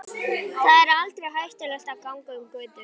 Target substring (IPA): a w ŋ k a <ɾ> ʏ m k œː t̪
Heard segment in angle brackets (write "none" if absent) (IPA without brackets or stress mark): none